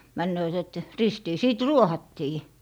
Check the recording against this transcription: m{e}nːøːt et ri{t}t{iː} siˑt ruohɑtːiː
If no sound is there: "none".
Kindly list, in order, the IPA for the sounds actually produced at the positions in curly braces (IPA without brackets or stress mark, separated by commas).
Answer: æ, s, iː